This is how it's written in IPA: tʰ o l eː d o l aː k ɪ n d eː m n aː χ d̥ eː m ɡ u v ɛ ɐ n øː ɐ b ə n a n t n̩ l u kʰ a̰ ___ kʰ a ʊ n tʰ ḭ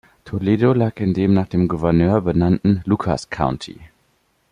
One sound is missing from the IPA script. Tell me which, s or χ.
s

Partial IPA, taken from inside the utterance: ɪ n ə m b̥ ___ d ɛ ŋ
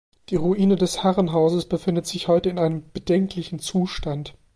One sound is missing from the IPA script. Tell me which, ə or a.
ə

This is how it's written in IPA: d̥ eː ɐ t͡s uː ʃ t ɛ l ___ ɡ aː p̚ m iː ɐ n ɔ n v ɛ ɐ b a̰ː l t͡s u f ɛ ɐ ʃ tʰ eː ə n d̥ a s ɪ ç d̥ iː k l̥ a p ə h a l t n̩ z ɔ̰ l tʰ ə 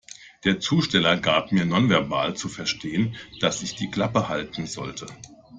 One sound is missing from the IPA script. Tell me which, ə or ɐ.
ɐ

